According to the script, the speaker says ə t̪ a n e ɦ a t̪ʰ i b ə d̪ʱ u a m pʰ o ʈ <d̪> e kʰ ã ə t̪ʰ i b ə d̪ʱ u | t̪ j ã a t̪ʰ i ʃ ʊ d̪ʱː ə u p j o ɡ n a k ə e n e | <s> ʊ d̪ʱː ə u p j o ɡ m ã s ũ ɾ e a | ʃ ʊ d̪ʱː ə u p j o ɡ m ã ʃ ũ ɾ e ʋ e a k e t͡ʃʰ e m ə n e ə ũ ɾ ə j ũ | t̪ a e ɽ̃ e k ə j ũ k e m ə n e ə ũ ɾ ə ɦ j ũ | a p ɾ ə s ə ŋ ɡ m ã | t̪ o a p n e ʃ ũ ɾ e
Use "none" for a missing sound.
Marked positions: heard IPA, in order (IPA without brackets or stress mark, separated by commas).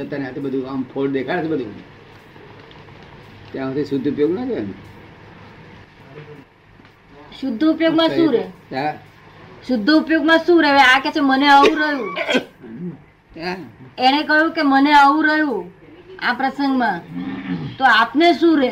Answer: d̪, ʃ